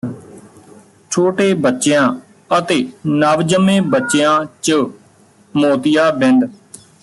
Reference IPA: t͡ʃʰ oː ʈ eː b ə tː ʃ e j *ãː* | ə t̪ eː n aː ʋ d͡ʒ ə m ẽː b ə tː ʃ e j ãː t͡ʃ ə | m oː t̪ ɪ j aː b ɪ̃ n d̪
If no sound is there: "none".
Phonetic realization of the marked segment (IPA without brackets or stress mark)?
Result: ãː